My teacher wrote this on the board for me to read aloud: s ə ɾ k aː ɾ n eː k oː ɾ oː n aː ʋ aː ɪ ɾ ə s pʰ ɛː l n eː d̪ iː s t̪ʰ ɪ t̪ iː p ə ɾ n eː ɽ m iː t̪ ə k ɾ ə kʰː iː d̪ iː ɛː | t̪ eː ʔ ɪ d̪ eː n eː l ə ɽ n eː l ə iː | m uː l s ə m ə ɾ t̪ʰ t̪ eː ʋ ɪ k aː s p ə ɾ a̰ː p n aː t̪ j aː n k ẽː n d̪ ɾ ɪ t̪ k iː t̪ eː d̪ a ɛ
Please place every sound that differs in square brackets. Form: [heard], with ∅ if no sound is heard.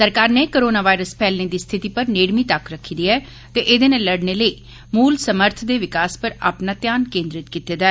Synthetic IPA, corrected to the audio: s ə ɾ k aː ɾ n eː k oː ɾ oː n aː ʋ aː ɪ ɾ ə s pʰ ɛː l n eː d̪ iː s t̪ʰ ɪ t̪ iː p ə ɾ n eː ɽ m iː t̪ ə k ɾ ə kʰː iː d̪ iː ɛː | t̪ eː ʔ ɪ d̪ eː n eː l ə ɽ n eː l ə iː | m uː l s ə m ə ɾ t̪ʰ [d̪] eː ʋ ɪ k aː s p ə ɾ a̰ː p n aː t̪ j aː n k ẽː n d̪ ɾ ɪ t̪ k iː t̪ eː d̪ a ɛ